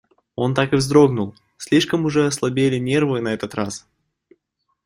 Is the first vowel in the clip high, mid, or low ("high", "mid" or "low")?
mid